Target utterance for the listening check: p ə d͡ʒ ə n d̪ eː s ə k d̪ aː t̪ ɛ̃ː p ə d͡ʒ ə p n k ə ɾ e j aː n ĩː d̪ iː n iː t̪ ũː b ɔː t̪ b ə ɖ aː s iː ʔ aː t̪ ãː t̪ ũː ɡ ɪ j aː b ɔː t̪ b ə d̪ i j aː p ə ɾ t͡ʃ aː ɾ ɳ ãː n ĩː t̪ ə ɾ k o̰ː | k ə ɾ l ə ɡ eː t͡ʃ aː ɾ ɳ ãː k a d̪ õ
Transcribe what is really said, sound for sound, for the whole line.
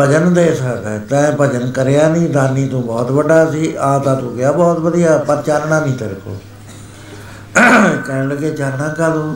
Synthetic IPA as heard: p ə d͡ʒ ə n d̪ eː s ə k d̪ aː t̪ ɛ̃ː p ə d͡ʒ ə n k ə ɾ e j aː n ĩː d̪ aː n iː t̪ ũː b ɔː t̪ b ə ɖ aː s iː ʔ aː t̪ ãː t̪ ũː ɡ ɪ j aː b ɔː t̪ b ə d̪ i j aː p ə ɾ t͡ʃ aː ɾ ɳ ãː n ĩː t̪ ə ɾ k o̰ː | k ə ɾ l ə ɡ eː t͡ʃ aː ɾ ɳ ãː k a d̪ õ